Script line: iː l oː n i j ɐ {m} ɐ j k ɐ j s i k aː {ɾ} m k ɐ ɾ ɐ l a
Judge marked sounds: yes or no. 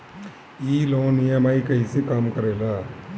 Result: yes, no

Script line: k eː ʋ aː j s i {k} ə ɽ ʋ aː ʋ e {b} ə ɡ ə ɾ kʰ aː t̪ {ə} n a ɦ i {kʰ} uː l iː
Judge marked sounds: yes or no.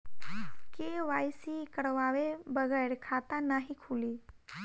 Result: yes, yes, no, yes

